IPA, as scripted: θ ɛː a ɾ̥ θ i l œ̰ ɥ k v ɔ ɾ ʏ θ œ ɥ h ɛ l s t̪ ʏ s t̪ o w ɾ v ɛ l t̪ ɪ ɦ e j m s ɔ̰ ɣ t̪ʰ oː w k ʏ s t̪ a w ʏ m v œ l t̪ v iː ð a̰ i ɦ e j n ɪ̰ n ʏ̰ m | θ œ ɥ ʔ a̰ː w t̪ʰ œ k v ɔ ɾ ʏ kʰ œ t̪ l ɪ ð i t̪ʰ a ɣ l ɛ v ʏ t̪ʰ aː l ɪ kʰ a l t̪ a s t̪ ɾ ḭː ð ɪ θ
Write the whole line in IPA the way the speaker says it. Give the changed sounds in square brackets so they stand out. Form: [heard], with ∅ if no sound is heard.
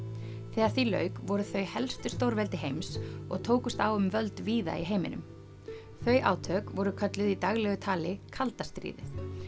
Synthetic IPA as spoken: θ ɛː a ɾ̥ θ i l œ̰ ɥ k v ɔ ɾ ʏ θ œ ɥ h ɛ l s t̪ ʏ s t̪ o w ɾ v ɛ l t̪ ɪ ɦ e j m s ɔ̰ ɣ t̪ʰ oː w k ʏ s t̪ a w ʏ m v œ l t̪ v iː ð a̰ i ɦ e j [m] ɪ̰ n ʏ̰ m | θ œ ɥ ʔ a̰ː w t̪ʰ œ k v ɔ ɾ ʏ kʰ œ t̪ l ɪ ð i [t̪] a ɣ l ɛ [ɣ] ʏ t̪ʰ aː l ɪ kʰ a l t̪ a s t̪ ɾ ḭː ð ɪ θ